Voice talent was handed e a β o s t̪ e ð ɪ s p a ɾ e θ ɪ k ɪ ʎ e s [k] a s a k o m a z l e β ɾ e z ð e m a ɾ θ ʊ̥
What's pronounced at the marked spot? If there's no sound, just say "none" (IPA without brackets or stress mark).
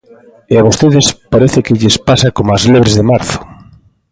p